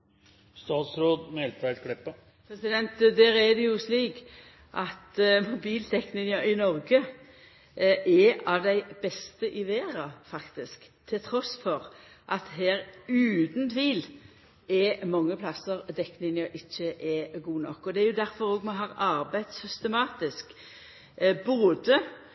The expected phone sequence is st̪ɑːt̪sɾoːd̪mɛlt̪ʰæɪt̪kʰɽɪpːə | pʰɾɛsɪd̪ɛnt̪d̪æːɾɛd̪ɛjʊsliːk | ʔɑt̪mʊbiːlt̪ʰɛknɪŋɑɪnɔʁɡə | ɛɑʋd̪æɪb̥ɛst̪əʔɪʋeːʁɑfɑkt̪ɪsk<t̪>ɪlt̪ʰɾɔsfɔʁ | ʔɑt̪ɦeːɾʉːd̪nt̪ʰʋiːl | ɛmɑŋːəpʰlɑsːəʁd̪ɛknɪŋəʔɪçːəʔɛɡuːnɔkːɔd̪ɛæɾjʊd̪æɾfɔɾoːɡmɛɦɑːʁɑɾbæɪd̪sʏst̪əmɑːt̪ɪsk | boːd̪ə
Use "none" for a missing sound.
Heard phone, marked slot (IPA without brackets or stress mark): t̪ʰ